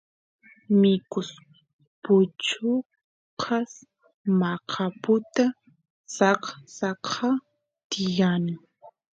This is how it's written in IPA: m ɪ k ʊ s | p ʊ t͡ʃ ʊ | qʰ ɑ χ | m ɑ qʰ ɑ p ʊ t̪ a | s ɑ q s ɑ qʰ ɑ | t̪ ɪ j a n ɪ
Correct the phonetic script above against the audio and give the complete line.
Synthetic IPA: m ɪ k ʊ s | p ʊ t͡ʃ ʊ | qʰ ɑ s | m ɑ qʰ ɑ p ʊ t̪ a | s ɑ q s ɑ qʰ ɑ | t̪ ɪ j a n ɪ